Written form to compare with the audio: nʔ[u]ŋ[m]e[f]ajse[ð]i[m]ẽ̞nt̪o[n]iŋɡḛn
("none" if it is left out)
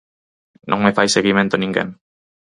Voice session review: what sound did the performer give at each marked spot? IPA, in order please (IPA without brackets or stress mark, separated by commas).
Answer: o, m, f, ɣ, m, n